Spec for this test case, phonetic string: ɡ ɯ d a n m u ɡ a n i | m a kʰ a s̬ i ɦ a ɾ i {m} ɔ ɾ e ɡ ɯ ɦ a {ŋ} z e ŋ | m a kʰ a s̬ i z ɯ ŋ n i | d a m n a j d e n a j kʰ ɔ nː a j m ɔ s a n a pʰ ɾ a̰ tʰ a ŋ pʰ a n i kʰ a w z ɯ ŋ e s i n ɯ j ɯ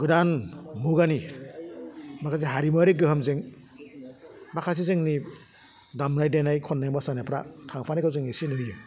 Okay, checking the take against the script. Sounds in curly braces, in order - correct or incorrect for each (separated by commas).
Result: correct, incorrect